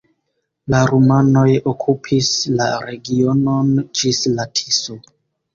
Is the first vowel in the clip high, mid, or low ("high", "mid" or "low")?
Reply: low